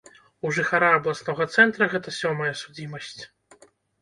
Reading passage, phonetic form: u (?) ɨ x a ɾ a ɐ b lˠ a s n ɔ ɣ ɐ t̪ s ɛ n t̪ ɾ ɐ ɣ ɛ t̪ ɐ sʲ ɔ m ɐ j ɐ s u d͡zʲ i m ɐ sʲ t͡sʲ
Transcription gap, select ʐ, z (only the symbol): ʐ